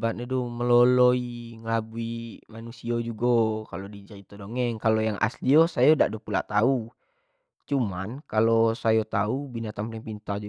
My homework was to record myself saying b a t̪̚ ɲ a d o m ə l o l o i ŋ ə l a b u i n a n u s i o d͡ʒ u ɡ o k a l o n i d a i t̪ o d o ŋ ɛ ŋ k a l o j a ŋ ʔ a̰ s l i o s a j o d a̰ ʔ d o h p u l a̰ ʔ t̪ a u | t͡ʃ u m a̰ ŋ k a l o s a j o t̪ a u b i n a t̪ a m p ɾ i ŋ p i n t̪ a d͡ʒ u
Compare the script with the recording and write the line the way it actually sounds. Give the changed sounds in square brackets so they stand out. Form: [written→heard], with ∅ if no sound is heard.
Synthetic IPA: b a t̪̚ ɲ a d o m ə l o l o i ŋ ə l a b u i [n→m] a n u s i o d͡ʒ u ɡ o k a l o [n→d] i [d→d͡ʒ] a i t̪ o d o ŋ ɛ ŋ k a l o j a ŋ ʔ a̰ s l i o s a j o d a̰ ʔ d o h p u l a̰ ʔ t̪ a u | t͡ʃ u m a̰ [ŋ→n] k a l o s a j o t̪ a u b i n a t̪ a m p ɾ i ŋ p i n t̪ a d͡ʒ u